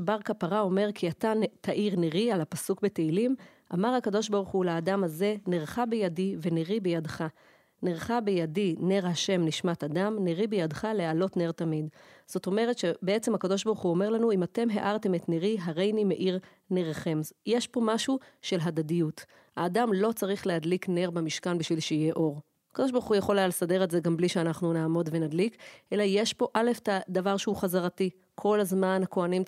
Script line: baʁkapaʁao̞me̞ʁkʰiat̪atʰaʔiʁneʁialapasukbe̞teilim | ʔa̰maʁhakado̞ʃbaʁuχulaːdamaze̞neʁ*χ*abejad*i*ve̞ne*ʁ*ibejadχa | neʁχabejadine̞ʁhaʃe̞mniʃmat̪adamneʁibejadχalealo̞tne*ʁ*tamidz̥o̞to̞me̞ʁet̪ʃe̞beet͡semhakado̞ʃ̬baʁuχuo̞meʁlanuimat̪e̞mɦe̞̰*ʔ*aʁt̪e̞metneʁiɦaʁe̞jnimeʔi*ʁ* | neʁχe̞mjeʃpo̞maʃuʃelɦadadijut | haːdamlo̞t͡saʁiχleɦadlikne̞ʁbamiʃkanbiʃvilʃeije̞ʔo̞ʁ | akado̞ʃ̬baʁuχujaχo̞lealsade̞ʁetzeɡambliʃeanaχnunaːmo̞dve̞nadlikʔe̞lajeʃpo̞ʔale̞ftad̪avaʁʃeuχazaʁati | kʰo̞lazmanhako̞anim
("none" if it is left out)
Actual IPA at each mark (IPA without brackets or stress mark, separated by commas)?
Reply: χ, i, ʁ, ʁ, ʔ, ʁ